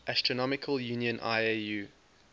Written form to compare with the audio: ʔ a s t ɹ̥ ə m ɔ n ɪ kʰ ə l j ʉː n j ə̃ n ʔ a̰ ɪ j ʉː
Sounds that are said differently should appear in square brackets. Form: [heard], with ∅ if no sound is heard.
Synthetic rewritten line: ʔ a s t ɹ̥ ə [n] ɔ [m] ɪ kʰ ə l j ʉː n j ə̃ n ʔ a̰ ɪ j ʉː